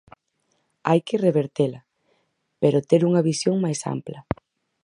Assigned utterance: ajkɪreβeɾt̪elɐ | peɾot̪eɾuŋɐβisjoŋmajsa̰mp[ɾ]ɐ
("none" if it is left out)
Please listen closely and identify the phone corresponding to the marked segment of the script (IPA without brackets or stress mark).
l